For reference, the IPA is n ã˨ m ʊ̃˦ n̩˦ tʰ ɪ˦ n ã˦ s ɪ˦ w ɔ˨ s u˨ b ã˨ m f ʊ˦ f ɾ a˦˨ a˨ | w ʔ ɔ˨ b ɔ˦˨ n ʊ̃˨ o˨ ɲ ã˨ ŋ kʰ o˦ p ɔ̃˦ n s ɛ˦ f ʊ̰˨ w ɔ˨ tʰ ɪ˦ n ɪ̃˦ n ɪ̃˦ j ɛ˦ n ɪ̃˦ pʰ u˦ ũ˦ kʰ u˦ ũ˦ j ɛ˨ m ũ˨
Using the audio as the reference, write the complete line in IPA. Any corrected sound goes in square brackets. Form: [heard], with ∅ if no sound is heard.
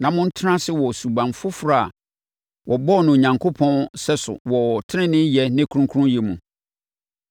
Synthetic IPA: n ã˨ m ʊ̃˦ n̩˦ tʰ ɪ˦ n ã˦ s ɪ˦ w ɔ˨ s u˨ b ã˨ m f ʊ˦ f ɾ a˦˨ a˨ | w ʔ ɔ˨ b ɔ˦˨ n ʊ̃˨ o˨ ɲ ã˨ ŋ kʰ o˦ [pʰ] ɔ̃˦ n s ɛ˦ [s] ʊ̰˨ w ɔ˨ tʰ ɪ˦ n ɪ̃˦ n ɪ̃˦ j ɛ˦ n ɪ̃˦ [kʰ] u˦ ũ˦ kʰ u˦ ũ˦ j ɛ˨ m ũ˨